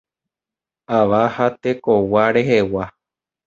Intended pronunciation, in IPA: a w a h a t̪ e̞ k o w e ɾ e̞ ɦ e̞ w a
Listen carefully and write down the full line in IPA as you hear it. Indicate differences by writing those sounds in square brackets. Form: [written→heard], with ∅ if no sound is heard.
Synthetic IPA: a [w→ʋ] a h a t̪ e̞ k o w [e→a] ɾ e̞ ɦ e̞ w a